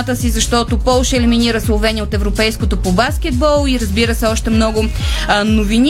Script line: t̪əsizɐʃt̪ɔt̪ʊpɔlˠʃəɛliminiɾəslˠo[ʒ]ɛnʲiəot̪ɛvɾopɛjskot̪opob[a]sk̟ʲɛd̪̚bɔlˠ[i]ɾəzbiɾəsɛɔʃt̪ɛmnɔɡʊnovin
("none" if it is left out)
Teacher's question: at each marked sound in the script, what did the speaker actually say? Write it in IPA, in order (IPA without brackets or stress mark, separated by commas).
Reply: v, a, i